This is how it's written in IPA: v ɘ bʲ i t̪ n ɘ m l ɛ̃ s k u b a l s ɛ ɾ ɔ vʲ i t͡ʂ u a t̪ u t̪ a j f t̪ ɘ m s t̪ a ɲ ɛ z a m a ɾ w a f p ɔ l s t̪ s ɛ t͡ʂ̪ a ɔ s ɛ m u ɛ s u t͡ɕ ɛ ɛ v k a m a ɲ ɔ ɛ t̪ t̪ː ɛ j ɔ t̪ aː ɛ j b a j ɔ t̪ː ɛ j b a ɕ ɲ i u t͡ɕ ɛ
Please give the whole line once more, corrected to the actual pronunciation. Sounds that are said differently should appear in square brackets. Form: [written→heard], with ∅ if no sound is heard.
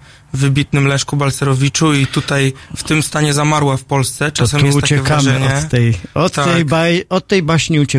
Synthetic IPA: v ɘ bʲ i t̪ n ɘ m l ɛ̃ [s→ʂ] k u b a l s ɛ ɾ ɔ vʲ i t͡ʂ u [a→i] t̪ u t̪ a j f t̪ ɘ m s t̪ a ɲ ɛ z a m a ɾ w a f p ɔ l s t̪ s ɛ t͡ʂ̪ a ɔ s ɛ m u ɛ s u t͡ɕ ɛ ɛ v k a m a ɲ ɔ ɛ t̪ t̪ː ɛ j ɔ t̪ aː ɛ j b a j ɔ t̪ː ɛ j b a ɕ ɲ i u t͡ɕ ɛ